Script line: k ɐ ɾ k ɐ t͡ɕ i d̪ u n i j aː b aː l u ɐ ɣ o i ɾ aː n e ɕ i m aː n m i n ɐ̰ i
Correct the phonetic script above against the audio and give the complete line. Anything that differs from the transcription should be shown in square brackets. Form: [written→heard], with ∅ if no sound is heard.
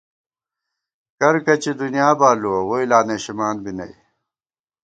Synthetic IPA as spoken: k ɐ ɾ k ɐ t͡ɕ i d̪ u n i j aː b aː l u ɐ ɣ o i [ɾ→l] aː n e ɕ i m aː n [m→b] i n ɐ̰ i

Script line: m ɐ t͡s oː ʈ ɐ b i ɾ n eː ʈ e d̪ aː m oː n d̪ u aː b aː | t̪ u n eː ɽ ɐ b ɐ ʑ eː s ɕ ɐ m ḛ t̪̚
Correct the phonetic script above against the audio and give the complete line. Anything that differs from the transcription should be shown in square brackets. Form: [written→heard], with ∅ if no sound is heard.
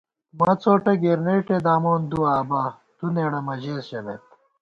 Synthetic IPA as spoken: m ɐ t͡s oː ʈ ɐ [b→ɡ] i ɾ n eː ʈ e d̪ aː m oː n d̪ u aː b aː | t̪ u n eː ɽ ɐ [b→m] ɐ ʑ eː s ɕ ɐ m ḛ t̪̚

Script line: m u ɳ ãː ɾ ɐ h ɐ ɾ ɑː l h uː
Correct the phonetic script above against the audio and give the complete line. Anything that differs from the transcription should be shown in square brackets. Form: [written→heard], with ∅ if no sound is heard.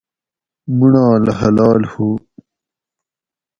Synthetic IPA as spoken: m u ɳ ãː [ɾ→l] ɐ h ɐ [ɾ→l] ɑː l h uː

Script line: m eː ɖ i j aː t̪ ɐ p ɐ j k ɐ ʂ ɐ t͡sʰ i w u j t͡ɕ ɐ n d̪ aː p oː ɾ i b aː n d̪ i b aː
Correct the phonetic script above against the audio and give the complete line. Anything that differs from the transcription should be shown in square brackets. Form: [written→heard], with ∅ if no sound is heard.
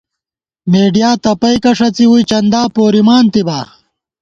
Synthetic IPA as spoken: m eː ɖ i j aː t̪ ɐ p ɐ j k ɐ ʂ ɐ [t͡sʰ→t͡s] i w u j t͡ɕ ɐ n d̪ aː p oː ɾ i [b→m] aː n [d̪→t̪] i b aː

